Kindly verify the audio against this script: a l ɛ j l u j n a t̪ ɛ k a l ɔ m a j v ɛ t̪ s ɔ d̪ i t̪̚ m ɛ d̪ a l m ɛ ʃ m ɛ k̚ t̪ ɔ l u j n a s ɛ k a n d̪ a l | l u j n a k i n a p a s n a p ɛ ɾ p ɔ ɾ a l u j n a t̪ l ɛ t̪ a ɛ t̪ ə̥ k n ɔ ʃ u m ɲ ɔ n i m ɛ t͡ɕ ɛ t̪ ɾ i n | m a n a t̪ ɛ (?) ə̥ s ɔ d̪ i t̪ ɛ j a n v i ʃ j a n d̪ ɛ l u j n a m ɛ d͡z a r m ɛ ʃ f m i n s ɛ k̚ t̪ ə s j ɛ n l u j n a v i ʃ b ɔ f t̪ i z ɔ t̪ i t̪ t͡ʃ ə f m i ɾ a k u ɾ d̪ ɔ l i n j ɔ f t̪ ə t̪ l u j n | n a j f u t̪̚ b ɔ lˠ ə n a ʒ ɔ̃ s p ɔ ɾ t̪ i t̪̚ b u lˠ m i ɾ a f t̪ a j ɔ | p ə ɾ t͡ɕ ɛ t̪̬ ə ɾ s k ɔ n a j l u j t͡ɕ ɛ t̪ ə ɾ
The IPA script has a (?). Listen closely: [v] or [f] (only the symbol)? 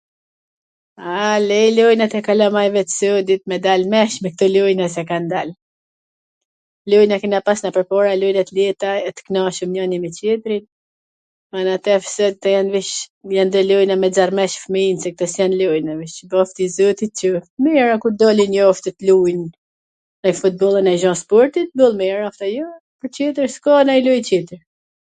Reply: f